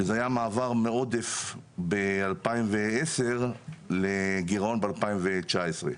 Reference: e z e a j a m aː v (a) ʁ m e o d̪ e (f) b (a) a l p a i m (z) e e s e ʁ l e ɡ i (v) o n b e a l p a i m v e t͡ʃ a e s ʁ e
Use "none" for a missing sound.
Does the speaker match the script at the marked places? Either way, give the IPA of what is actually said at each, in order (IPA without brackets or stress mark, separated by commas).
a, f, e, v, ʁ